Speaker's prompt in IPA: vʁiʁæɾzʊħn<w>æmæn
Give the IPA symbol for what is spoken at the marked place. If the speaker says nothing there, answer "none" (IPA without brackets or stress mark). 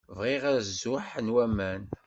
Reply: w